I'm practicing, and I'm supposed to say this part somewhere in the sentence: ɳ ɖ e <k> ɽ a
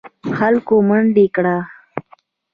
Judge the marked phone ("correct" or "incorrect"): correct